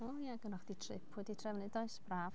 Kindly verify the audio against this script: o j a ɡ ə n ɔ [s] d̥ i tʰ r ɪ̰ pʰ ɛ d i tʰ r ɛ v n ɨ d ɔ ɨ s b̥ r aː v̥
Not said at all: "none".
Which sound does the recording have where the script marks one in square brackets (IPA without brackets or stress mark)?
χ